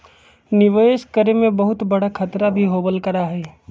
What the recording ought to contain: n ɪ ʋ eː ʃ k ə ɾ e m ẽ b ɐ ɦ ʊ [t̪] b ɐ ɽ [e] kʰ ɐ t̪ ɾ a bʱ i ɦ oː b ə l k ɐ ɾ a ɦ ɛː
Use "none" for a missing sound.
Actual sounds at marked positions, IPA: t̪, a

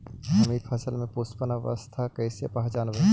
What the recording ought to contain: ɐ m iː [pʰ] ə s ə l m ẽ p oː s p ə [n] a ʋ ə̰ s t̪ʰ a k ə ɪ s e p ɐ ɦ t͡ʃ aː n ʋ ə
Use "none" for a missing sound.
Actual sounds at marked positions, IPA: pʰ, n

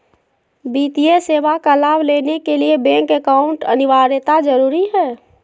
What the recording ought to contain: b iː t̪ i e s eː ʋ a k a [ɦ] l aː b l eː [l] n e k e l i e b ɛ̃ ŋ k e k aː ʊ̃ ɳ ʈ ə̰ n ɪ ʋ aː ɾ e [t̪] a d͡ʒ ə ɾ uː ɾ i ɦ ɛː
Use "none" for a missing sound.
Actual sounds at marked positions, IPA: none, none, t̪

